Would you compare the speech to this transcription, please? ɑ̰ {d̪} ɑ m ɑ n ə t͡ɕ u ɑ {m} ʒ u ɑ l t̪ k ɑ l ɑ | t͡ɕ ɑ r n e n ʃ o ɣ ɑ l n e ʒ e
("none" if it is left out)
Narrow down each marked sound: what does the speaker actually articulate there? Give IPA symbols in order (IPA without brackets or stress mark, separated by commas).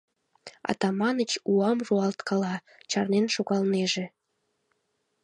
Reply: t̪, m